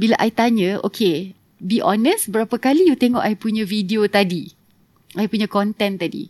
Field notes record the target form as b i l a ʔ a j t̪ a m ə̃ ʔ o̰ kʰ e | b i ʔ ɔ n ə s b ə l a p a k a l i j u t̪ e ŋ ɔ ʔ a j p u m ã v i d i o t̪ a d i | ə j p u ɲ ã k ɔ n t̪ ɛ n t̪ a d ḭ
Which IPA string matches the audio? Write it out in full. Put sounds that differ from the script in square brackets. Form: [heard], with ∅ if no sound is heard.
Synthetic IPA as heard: b i l a ʔ a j t̪ a [ɲ] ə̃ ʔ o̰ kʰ e | b i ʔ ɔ n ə s b ə [ɾ] a p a k a l i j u t̪ e ŋ ɔ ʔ a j p u [ɲ] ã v i d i o t̪ a d i | [a] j p u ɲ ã k ɔ n t̪ ɛ n t̪ a d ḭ